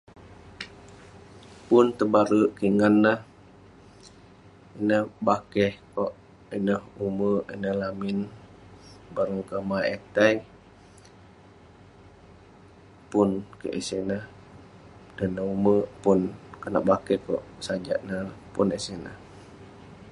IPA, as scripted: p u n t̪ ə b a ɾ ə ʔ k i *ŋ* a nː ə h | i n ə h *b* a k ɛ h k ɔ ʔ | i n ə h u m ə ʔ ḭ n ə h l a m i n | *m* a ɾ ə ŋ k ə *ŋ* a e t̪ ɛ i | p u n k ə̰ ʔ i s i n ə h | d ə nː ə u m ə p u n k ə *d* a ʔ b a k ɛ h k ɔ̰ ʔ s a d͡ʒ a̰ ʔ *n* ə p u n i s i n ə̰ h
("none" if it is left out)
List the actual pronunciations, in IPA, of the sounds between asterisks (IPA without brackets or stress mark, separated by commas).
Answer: ŋ, b, b, m, n, n